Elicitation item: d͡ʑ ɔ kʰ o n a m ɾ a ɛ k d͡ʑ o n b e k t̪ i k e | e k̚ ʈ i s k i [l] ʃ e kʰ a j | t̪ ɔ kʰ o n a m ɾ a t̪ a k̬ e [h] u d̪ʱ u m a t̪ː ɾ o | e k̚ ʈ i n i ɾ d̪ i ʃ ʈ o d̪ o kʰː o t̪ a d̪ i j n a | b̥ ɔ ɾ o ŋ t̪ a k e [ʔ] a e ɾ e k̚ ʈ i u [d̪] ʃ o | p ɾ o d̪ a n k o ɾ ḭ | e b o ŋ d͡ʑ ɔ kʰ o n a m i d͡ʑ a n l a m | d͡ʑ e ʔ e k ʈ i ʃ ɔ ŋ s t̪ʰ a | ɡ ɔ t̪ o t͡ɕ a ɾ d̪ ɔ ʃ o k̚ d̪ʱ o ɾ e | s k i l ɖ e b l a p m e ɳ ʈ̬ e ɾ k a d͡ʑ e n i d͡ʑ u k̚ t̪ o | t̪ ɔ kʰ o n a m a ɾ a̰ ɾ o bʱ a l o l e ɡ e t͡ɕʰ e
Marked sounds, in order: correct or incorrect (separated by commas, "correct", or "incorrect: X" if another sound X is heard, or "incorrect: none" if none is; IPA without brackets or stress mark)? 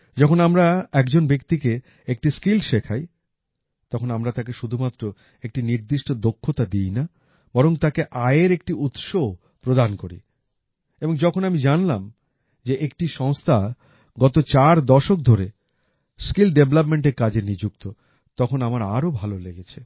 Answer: correct, incorrect: ʃ, correct, incorrect: t̪